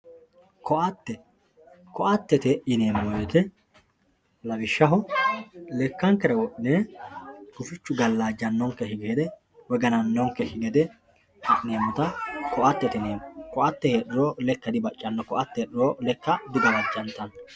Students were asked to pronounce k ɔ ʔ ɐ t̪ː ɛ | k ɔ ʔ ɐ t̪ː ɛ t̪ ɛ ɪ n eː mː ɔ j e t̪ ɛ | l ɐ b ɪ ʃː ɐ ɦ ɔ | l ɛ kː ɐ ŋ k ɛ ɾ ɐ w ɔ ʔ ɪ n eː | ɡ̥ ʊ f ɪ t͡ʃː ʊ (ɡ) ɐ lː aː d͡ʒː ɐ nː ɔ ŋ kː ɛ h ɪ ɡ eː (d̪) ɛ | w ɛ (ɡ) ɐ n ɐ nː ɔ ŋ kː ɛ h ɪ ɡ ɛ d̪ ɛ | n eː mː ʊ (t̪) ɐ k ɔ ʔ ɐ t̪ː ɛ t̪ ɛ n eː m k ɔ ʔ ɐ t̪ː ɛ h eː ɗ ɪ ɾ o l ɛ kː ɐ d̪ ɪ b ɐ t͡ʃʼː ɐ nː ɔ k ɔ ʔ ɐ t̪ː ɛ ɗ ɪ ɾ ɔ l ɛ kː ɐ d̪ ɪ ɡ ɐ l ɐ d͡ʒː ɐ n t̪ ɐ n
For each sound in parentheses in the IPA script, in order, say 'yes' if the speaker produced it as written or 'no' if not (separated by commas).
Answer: yes, yes, yes, yes